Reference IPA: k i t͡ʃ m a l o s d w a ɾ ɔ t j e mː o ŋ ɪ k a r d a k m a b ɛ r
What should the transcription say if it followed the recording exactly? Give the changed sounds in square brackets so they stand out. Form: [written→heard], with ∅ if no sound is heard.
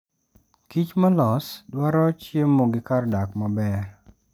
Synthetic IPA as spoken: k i t͡ʃ m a l [o→ɔ] s d w a ɾ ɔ [t→t͡ʃ] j e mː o [ŋ→ɡ] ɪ k a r d a k m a b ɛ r